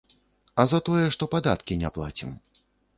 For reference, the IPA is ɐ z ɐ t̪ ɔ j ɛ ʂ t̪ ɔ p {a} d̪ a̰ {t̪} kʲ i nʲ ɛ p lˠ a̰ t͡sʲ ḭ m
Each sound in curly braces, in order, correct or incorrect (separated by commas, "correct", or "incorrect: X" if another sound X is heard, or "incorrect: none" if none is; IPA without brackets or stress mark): correct, correct